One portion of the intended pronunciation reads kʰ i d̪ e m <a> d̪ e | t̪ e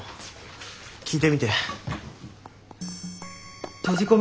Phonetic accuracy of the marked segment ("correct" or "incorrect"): incorrect